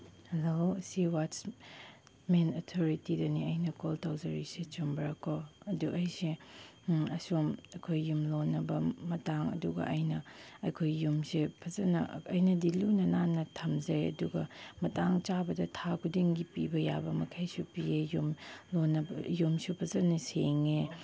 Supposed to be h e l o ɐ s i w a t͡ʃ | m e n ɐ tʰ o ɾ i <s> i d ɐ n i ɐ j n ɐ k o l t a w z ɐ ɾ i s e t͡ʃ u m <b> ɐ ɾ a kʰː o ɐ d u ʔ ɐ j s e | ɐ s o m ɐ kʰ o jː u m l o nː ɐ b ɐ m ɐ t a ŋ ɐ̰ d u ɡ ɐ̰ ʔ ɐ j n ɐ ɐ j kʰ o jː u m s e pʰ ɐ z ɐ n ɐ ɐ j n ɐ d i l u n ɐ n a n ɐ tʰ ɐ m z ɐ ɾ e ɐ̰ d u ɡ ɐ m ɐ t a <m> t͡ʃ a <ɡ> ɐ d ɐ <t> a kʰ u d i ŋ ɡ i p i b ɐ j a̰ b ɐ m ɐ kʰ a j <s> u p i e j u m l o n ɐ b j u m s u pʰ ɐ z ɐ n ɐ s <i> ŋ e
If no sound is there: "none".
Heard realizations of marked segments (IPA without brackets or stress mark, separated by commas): t, b, ŋ, b, tʰ, s, e